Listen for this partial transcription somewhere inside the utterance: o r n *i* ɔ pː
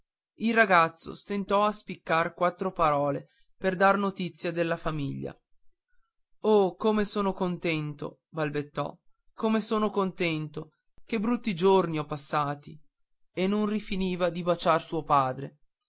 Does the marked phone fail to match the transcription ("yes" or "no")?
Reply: no